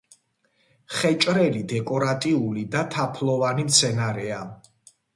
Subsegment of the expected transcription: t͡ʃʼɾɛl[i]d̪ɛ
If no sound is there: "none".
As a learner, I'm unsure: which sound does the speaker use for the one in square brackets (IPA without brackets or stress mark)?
i